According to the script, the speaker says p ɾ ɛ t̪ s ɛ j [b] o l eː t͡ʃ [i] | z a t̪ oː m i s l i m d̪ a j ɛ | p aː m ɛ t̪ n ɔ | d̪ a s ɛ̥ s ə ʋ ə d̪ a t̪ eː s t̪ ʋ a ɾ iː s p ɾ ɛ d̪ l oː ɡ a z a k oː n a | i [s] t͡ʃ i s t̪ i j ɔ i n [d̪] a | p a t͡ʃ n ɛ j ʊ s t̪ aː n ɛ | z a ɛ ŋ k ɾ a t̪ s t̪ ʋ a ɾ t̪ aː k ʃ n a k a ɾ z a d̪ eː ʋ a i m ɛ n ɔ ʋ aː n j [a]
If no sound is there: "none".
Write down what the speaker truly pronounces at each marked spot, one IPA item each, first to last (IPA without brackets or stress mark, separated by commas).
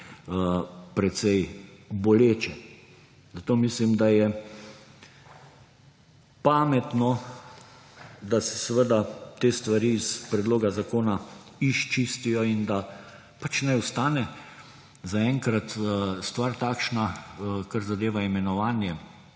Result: b, ɛ, ʃ, d̪, ɛ